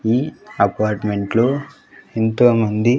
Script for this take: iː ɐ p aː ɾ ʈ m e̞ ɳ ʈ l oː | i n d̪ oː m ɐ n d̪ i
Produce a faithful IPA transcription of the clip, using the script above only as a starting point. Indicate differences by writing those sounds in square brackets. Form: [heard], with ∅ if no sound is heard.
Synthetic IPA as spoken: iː ɐ p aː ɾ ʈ m e̞ ɳ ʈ l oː | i n [t̪] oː m ɐ n d̪ i